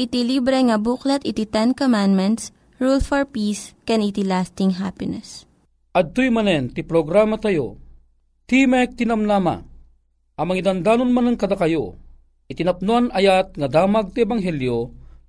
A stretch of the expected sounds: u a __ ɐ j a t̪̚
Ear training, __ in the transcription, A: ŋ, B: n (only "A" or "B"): B